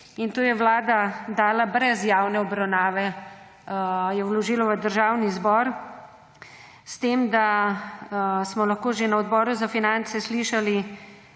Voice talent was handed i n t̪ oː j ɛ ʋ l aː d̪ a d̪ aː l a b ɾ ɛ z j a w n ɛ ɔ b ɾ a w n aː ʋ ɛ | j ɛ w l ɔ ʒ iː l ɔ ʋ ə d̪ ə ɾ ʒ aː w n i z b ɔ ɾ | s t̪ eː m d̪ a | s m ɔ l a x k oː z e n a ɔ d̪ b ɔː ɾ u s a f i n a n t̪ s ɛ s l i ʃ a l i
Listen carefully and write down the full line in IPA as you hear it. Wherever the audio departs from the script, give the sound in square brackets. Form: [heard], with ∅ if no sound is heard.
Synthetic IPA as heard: i n t̪ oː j ɛ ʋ l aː d̪ a d̪ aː l a b ɾ ɛ z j a w n ɛ ɔ b ɾ a w n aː ʋ ɛ | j ɛ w l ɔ ʒ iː l ɔ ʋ ə d̪ ə ɾ ʒ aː w n i z b ɔ ɾ | s t̪ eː m d̪ a | s m ɔ l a x k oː [ʒ] e n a ɔ d̪ b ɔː ɾ u [z] a f i n a n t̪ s ɛ s l i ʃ a l i